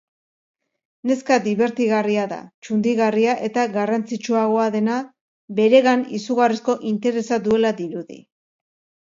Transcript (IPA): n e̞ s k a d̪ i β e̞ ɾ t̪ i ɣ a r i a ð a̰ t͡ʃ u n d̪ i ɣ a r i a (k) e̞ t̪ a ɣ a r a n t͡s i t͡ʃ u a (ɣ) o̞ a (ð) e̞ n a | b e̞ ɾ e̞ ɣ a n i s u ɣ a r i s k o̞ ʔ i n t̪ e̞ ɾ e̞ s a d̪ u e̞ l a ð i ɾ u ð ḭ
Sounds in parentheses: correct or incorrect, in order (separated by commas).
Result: incorrect, correct, correct